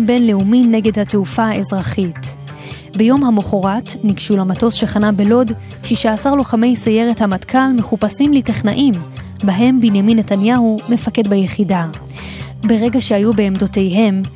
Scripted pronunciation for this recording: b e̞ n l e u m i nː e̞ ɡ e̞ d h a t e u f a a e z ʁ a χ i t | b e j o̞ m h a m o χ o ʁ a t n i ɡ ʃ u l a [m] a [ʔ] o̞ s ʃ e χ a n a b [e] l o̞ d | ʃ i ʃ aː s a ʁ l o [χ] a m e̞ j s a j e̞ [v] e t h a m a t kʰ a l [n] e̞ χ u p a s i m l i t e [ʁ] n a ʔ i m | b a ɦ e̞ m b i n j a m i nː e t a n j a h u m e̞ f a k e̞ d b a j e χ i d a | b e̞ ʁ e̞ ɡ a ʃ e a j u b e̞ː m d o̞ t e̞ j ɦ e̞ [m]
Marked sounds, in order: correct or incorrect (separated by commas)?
correct, incorrect, correct, correct, incorrect, incorrect, incorrect, correct